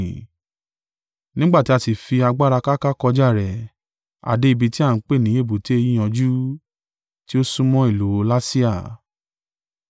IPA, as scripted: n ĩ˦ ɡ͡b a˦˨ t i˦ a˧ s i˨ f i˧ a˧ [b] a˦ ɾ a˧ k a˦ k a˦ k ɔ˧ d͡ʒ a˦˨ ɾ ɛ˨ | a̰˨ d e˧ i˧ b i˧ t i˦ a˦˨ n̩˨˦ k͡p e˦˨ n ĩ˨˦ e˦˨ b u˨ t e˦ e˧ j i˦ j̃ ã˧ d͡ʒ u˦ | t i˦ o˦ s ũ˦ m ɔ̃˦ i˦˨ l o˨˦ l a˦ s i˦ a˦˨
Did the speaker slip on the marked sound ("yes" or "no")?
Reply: yes